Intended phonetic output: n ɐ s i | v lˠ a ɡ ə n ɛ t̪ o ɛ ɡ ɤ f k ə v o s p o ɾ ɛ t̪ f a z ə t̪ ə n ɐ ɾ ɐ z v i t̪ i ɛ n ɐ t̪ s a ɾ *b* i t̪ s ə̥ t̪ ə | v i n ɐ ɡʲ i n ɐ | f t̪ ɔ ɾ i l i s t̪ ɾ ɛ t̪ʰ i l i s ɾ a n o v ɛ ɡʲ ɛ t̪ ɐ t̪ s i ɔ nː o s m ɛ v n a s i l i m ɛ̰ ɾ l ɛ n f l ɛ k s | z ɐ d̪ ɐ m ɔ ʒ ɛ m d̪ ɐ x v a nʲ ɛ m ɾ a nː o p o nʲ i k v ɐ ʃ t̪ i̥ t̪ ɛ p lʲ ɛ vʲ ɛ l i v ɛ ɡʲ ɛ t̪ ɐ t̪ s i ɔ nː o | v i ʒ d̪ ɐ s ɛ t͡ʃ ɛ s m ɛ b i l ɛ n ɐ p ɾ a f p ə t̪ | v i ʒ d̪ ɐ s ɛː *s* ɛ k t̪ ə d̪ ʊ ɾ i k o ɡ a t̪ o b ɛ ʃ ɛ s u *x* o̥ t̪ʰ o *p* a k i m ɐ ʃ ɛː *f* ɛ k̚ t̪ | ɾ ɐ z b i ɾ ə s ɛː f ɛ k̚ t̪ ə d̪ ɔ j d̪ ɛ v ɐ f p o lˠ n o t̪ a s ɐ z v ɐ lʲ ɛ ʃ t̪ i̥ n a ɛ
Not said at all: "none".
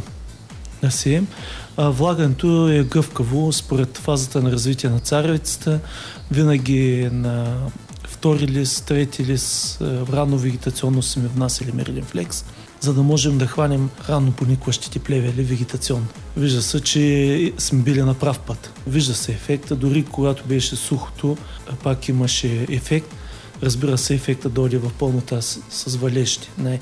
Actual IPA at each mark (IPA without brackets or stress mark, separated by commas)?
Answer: v, f, x, p, f